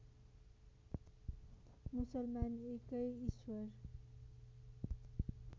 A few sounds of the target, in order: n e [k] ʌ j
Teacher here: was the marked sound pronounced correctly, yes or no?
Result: yes